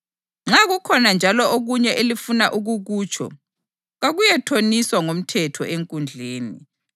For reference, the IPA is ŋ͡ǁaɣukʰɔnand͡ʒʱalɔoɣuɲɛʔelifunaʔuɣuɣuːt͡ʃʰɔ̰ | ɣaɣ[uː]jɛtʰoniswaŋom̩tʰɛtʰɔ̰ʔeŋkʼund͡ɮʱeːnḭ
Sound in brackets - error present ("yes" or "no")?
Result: yes